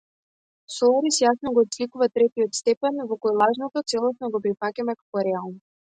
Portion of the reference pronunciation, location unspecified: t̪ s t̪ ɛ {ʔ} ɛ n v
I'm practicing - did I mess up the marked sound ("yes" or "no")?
yes